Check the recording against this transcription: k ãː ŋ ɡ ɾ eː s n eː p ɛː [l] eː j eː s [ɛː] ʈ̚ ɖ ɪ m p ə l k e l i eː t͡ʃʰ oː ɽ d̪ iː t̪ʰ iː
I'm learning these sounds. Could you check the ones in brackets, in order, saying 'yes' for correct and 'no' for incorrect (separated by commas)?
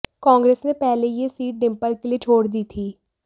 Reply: yes, no